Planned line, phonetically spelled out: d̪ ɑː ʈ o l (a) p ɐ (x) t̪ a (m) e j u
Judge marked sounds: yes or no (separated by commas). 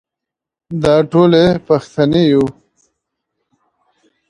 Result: no, yes, no